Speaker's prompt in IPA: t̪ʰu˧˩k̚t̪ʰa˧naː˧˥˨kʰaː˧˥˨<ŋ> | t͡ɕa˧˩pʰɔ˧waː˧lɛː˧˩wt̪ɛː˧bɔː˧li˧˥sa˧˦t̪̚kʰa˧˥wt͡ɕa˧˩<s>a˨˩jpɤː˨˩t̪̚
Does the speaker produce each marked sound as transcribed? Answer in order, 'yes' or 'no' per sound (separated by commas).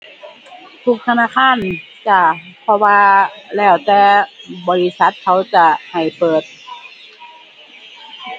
no, no